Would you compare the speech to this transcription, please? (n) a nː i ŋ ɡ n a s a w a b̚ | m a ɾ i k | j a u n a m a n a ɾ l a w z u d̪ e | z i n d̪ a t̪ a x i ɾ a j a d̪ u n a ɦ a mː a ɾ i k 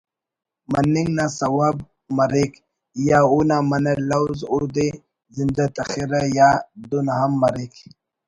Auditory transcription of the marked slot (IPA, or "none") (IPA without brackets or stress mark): m